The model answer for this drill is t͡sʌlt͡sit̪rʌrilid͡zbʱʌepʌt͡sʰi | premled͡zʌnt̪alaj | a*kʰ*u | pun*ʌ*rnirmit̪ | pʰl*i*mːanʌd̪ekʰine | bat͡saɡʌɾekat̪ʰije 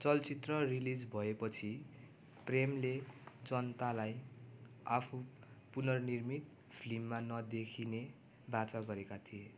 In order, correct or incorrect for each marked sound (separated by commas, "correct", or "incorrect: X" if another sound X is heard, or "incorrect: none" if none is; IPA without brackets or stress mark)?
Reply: incorrect: pʰ, correct, correct